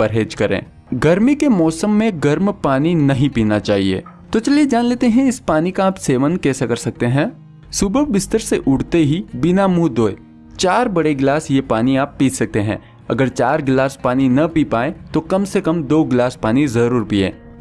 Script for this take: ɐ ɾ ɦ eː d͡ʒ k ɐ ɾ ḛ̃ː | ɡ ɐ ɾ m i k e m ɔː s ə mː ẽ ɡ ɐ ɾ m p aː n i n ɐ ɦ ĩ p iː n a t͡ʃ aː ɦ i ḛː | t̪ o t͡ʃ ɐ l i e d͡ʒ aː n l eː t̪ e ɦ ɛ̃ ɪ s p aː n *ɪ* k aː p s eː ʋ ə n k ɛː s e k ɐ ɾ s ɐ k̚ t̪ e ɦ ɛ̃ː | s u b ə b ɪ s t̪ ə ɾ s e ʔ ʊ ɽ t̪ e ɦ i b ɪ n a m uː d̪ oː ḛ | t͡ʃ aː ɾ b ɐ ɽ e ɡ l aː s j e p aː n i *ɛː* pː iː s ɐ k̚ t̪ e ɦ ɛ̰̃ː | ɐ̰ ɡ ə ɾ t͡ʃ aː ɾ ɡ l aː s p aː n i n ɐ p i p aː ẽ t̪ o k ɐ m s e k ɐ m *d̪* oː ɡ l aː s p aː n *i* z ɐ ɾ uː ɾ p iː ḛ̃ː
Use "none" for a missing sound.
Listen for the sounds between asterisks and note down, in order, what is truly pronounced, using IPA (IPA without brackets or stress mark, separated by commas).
i, aː, d̪, i